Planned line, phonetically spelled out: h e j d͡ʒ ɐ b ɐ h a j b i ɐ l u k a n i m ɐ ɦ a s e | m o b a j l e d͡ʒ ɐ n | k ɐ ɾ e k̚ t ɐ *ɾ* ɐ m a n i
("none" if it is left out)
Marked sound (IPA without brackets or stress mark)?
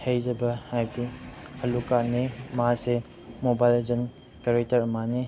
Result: ɾ